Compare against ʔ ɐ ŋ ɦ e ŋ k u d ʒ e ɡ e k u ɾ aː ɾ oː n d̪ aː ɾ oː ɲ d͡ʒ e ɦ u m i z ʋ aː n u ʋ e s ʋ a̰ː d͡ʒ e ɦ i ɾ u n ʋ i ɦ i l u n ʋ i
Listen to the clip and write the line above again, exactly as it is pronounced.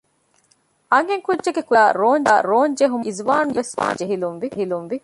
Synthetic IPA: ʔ ɐ ŋ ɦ e ŋ k u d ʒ e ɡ e k u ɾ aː ɾ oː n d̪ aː ɾ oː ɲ d͡ʒ e ɦ u m i z ʋ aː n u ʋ e s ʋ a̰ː d͡ʒ e ɦ i l u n ʋ i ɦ i l u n ʋ i